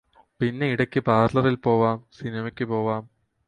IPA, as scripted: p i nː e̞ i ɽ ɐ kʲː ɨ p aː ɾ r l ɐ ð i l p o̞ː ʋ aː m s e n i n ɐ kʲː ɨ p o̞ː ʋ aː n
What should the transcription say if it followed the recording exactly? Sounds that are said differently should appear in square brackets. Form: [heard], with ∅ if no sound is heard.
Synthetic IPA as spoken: p i nː e̞ i ɽ ɐ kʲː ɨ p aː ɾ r l ɐ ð i l p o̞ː ʋ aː m s [i] n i [m] ɐ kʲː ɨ p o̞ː ʋ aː [m]